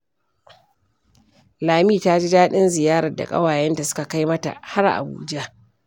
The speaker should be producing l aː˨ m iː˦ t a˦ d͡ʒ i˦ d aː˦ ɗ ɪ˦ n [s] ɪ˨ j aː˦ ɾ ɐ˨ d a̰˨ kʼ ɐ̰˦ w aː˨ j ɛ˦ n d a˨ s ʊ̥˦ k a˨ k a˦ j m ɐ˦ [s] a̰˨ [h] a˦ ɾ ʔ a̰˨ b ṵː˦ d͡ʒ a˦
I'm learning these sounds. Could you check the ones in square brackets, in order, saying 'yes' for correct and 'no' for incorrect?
no, no, yes

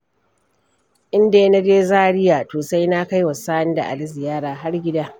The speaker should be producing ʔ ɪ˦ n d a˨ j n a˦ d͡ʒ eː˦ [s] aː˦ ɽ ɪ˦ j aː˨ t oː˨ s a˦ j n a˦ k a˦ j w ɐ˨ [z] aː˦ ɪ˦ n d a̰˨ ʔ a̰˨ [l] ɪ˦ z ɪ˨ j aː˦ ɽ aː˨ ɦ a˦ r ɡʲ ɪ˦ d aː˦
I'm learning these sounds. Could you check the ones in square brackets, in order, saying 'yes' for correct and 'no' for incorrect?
no, no, yes

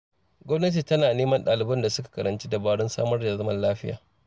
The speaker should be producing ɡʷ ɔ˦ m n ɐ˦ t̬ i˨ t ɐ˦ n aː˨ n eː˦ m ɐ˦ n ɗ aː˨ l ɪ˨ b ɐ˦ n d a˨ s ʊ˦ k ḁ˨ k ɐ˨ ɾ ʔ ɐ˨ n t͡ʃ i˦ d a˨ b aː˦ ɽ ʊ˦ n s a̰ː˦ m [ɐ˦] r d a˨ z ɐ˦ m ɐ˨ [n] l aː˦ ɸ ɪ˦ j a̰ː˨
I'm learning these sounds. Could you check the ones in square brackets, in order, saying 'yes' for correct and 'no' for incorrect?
yes, yes

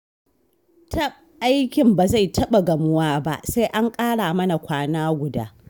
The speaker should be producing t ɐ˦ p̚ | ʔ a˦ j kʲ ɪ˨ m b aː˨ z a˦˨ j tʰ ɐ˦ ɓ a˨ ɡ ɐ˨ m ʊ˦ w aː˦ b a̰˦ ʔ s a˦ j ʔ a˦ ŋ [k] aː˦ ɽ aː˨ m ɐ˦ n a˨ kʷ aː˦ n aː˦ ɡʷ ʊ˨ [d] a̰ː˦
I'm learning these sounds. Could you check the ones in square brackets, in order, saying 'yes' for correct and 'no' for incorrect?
no, yes

